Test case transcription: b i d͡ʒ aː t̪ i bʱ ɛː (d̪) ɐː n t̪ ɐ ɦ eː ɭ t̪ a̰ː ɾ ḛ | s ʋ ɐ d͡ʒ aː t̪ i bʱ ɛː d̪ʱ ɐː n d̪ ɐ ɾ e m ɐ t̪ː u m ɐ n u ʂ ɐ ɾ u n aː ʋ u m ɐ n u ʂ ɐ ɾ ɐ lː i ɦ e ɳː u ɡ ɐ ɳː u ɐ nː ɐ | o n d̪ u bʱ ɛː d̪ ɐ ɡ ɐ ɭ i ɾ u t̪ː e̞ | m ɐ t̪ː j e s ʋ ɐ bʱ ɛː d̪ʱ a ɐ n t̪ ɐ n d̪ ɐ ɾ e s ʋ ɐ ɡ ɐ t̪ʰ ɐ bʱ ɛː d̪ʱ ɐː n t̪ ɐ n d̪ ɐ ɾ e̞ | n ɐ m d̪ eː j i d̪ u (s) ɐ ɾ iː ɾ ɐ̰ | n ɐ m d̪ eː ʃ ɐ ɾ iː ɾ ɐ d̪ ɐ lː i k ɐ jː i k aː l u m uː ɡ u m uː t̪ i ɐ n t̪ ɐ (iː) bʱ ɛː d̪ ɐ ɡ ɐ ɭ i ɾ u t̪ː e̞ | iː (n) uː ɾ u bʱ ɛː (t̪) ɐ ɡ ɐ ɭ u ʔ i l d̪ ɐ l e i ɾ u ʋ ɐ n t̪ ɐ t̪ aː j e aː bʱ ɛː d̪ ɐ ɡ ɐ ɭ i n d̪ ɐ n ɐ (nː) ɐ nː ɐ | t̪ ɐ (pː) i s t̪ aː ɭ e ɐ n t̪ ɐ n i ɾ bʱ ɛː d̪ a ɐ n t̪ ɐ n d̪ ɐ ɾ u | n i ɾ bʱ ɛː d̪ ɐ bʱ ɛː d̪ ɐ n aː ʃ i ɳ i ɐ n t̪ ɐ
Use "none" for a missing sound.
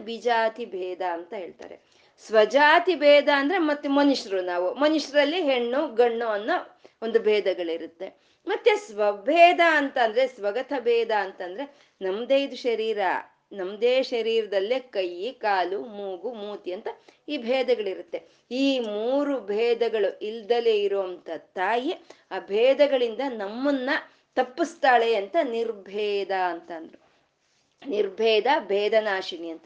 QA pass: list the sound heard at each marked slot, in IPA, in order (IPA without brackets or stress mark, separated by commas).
d̪, ʃ, iː, m, d̪, mː, pː